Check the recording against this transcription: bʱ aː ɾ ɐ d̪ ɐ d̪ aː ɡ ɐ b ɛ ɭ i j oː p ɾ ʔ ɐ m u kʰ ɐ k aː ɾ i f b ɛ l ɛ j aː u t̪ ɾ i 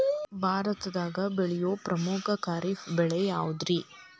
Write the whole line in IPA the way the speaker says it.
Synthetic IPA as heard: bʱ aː ɾ ɐ t̪ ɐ d̪ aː ɡ ɐ b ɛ ɭ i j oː p ɾ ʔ ɐ m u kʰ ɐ k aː ɾ i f b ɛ ɭ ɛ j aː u d̪ ɾ i

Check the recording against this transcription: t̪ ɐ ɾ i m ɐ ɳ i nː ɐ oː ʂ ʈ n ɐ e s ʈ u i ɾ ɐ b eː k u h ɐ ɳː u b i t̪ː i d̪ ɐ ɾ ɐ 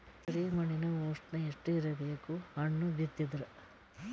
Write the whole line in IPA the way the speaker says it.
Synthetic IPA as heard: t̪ ɐ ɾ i m ɐ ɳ i n ɐ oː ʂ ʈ n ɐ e ʂ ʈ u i ɾ ɐ b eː k u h ɐ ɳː u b i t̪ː i d̪ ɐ ɾ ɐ

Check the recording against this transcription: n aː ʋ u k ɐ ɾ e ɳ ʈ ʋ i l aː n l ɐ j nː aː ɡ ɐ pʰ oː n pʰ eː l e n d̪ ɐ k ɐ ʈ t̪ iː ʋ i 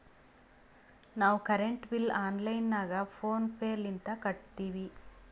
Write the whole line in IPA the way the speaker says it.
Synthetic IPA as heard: n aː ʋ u k ɐ ɾ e ɳ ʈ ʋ i l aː n l ɐ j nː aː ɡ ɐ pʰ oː n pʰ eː l i n t̪ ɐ k ɐ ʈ t̪ iː ʋ i

